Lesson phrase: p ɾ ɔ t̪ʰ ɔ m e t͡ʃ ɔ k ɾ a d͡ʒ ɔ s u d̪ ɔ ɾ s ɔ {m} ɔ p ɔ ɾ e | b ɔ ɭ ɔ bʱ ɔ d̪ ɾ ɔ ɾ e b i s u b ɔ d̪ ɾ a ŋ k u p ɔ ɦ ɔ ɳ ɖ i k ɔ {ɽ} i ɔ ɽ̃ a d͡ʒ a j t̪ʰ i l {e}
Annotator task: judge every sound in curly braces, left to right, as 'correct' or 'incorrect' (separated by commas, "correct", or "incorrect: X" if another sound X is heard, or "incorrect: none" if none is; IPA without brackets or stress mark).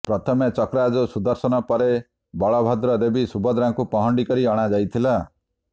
incorrect: n, incorrect: ɾ, incorrect: a